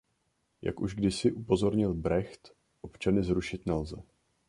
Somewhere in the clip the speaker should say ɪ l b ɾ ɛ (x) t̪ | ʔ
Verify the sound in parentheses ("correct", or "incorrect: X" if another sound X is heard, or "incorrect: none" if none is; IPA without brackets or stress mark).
correct